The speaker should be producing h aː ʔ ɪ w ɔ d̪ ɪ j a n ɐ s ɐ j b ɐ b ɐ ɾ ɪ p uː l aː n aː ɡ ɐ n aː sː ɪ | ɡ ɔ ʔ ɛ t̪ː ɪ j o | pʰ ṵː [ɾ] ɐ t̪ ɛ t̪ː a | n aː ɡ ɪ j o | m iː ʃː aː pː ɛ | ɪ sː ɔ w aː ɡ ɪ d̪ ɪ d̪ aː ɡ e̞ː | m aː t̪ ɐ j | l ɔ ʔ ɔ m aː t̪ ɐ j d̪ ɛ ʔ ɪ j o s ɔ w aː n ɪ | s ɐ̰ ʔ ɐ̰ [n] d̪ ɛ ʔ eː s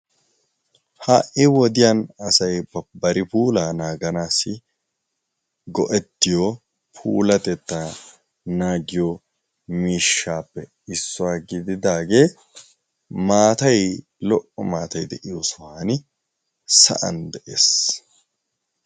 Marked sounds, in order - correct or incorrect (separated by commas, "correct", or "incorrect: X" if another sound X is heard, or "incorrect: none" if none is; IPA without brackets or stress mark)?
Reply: incorrect: l, correct